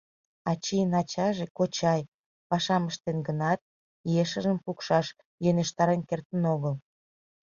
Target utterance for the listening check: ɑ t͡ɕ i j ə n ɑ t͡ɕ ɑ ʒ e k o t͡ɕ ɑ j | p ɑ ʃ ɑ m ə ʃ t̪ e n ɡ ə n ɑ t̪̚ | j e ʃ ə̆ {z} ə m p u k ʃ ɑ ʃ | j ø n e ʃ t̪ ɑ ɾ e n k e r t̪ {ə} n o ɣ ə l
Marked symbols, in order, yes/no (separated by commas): no, yes